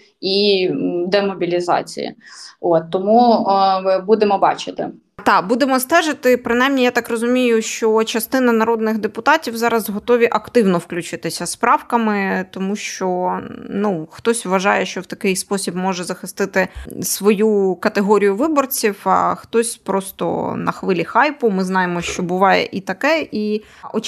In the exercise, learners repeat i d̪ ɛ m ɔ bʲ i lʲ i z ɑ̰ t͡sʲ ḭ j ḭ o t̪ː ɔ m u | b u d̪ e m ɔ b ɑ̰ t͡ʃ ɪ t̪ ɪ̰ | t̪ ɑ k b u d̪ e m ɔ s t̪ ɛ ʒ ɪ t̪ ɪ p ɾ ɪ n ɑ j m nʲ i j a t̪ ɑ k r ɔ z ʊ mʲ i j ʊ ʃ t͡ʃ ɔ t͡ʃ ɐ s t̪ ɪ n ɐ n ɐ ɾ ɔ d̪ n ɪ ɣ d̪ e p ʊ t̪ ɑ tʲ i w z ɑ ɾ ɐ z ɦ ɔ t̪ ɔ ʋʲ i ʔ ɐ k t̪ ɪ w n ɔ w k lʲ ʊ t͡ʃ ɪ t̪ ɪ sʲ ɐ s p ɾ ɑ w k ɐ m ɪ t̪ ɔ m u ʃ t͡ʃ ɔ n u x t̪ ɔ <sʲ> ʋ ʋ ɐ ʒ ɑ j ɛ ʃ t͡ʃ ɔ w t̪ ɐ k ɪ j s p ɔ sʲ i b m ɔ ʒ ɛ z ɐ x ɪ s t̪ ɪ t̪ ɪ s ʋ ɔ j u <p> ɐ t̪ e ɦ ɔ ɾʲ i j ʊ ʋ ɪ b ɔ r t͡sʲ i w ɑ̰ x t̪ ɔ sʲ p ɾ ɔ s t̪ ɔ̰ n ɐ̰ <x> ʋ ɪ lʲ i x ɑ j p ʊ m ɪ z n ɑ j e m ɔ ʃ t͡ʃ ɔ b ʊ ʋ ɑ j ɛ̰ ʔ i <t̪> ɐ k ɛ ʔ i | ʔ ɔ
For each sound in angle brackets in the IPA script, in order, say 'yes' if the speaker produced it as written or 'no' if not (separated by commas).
yes, no, yes, yes